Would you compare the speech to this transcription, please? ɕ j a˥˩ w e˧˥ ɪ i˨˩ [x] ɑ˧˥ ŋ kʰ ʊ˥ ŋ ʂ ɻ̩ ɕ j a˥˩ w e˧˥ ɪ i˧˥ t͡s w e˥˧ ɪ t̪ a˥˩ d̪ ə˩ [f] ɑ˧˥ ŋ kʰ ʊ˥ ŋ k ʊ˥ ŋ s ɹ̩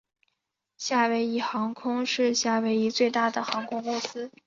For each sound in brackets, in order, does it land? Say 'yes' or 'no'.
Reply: yes, no

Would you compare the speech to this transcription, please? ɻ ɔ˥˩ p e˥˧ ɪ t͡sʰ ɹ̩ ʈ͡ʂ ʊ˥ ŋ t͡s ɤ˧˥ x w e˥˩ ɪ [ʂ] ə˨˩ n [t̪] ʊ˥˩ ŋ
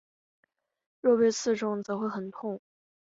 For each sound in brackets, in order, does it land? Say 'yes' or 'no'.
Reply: no, no

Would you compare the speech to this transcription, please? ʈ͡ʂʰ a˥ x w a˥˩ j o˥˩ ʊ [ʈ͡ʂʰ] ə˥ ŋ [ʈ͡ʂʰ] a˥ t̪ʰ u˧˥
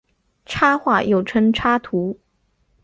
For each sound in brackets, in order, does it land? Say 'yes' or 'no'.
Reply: yes, yes

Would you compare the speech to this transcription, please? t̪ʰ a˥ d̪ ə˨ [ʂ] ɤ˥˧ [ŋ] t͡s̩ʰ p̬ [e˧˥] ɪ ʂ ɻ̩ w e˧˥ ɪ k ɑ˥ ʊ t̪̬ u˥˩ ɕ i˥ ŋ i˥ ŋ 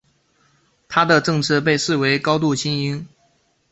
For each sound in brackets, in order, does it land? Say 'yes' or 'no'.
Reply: no, yes, no

